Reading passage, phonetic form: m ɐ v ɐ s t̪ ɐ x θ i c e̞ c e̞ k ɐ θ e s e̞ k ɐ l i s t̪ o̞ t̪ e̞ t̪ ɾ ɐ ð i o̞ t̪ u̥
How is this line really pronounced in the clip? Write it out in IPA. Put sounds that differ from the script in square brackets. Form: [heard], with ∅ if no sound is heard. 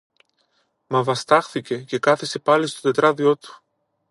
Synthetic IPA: m ɐ v ɐ s t̪ ɐ x θ i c e̞ c e̞ k ɐ θ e s e̞ [p] ɐ l i s t̪ o̞ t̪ e̞ t̪ ɾ ɐ ð i o̞ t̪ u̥